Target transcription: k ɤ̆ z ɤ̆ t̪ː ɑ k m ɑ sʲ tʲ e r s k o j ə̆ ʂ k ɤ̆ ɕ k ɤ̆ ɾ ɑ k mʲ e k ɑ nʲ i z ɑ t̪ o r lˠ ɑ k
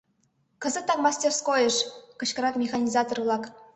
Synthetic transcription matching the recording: k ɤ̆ z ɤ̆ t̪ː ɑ k m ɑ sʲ tʲ e r s k o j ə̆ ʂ k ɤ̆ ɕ k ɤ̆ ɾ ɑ k mʲ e x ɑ nʲ i z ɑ t̪ o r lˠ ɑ k

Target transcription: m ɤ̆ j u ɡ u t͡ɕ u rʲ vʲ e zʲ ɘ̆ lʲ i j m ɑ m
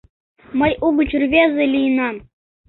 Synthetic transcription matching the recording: m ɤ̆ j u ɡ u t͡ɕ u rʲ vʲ e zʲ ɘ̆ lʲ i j n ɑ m

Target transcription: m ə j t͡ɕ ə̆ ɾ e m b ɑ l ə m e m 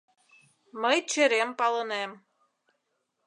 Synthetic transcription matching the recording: m ə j t͡ɕ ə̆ ɾ e m p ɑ l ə n e m

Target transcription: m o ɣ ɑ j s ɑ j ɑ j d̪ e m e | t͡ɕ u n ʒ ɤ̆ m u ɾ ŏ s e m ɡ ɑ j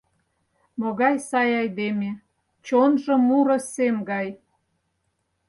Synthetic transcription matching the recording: m o ɣ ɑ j s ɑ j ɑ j d̪ e m e | t͡ɕ o n ʒ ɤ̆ m u ɾ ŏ s e m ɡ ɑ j

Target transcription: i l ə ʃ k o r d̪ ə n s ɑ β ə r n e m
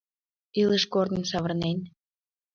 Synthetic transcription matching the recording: i l ə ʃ k o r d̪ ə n s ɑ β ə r n e n

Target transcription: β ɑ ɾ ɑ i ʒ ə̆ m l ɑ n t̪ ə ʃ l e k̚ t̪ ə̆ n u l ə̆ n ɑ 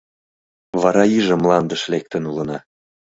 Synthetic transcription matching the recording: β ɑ ɾ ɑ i ʒ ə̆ m l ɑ n d̪ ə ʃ l e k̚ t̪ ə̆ n u l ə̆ n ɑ

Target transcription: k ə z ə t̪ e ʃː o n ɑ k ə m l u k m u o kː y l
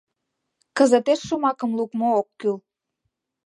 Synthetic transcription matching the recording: k ə z ə t̪ e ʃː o m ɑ k ə m l u k m o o kː y l

